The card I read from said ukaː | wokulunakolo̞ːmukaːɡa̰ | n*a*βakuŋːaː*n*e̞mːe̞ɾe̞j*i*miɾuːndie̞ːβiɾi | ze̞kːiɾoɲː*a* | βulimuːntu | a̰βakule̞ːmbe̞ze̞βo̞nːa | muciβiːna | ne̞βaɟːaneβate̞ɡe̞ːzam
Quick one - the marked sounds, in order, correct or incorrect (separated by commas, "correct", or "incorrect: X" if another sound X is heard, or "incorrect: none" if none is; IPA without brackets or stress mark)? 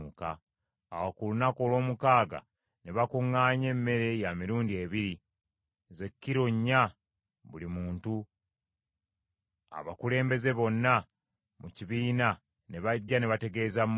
incorrect: e, incorrect: ɲ, incorrect: a, correct